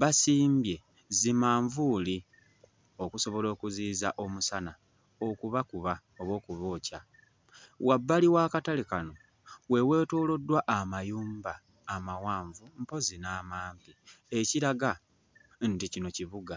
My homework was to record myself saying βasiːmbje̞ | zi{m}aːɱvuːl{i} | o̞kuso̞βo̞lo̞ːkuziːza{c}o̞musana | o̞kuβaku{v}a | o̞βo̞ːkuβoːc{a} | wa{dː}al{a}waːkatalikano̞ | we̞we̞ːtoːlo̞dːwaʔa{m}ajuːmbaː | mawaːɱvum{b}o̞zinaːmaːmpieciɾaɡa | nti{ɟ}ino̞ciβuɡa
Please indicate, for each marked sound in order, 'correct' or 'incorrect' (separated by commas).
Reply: correct, correct, incorrect, incorrect, correct, incorrect, incorrect, correct, incorrect, incorrect